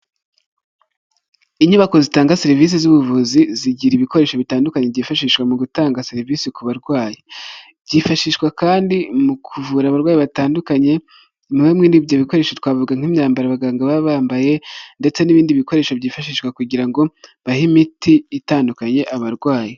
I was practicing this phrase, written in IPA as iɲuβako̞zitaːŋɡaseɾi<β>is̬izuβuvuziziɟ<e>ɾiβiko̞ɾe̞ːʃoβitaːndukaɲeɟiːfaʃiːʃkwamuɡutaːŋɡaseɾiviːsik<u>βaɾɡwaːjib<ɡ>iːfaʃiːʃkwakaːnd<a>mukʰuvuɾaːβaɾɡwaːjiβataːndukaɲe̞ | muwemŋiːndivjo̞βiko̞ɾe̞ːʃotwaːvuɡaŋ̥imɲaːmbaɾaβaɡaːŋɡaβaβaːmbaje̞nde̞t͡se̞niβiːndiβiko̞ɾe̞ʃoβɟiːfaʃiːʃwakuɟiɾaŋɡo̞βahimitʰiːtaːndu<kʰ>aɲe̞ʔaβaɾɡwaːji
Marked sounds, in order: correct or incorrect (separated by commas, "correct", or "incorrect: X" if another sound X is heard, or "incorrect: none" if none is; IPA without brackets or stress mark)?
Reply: incorrect: v, incorrect: i, correct, incorrect: ɟ, incorrect: i, incorrect: k